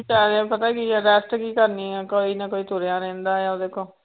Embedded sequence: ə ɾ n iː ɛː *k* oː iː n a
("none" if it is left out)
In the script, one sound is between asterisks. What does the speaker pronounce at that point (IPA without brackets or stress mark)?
k